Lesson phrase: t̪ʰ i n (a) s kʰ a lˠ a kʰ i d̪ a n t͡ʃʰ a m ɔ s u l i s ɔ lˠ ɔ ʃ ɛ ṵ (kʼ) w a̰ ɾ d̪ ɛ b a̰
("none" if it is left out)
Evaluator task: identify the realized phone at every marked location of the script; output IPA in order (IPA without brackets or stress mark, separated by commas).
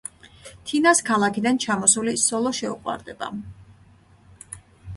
a, qʼ